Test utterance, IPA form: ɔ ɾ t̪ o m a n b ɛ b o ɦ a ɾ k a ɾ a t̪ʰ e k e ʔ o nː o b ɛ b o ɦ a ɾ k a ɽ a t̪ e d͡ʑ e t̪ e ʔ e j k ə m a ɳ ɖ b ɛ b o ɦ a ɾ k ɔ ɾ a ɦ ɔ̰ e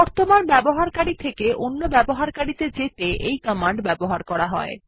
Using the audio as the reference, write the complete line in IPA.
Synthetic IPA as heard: ɔ ɾ t̪ o m a n b ɛ b o ɦ a ɾ k a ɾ i t̪ʰ e k e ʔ o nː o b ɛ b o ɦ a ɾ k a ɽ i t̪ e d͡ʑ e t̪ e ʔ e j k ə m a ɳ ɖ b ɛ b o ɦ a ɾ k ɔ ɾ a ɦ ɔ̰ e

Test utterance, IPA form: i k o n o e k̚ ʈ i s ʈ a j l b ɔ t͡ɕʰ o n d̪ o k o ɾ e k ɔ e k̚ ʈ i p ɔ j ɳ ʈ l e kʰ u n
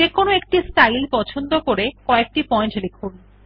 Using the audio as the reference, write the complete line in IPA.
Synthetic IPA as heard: e k o n o e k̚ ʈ i s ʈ a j l p ɔ t͡ɕʰ o n d̪ o k o ɾ e k ɔ e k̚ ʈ i p ɔ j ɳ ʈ l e kʰ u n

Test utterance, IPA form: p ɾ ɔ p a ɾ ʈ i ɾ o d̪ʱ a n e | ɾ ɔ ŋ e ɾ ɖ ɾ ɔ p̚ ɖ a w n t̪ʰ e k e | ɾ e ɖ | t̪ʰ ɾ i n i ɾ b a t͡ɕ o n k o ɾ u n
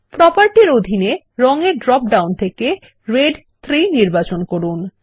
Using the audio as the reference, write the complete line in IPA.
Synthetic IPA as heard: p ɾ ɔ p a ɾ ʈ i ɾ o d̪ʱ i n e | ɾ ɔ ŋ e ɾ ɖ ɾ ɔ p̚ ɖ a w n t̪ʰ e k e | ɾ e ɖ | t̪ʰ ɾ i n i ɾ b a t͡ɕ o n k o ɾ u n

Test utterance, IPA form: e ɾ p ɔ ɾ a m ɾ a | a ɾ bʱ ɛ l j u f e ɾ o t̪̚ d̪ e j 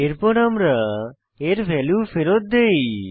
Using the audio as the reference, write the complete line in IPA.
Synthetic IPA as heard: e ɾ p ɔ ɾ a m ɾ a | e ɾ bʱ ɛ l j u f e ɾ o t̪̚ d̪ e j

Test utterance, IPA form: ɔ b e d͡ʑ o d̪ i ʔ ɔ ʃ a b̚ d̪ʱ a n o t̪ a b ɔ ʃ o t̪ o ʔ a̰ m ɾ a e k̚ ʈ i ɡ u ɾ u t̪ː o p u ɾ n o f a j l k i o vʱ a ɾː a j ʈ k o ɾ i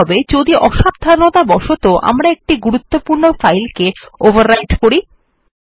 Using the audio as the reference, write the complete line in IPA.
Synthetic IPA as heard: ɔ b e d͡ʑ o d̪ i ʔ ɔ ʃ a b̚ d̪ʱ a n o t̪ a b ɔ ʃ o t̪ o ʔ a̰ m ɾ a e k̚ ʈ i ɡ u ɾ u t̪ː o p u ɾ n o f a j l k e o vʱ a ɾː a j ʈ k o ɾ i

